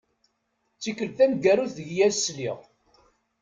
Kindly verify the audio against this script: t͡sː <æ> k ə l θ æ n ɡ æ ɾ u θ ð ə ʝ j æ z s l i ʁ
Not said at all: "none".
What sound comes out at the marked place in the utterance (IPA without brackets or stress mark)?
i